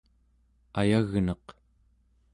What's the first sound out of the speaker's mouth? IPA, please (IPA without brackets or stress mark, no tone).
a